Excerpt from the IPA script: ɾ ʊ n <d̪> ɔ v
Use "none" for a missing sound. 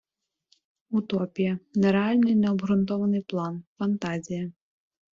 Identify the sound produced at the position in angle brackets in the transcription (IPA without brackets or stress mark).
t̪